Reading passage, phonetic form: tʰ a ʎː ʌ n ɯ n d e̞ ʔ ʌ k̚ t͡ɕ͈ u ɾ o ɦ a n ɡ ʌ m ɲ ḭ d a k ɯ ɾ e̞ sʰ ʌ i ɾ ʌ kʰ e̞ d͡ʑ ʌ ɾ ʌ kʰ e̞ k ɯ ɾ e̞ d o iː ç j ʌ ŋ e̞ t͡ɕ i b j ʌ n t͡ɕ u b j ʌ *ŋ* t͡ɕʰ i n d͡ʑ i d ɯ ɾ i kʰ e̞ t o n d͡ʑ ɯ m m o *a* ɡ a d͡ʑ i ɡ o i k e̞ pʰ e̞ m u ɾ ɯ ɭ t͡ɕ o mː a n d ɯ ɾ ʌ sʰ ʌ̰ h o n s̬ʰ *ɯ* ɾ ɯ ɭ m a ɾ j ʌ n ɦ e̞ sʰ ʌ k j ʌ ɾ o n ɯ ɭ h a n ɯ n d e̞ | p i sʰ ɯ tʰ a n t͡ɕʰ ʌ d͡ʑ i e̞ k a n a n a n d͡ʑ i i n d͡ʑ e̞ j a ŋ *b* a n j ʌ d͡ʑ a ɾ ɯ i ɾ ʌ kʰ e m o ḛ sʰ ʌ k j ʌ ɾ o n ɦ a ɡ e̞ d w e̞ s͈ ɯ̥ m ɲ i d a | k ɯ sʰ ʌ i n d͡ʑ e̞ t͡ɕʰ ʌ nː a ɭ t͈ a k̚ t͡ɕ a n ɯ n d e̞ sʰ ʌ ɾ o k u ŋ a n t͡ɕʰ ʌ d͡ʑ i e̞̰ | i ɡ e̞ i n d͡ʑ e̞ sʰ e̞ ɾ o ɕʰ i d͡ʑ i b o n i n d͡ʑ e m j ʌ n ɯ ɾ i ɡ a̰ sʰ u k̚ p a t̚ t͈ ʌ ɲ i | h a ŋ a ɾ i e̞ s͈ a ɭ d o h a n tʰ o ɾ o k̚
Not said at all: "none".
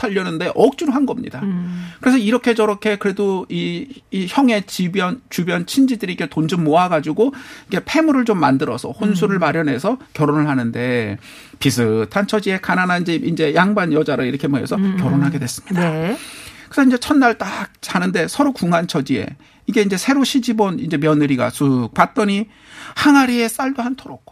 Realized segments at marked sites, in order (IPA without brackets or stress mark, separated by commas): n, a, u, b